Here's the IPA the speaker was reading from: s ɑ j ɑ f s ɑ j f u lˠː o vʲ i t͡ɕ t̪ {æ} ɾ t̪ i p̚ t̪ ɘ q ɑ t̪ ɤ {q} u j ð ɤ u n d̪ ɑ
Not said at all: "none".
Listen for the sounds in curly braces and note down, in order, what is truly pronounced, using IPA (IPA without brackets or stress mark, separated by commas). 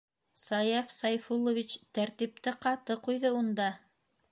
æ, q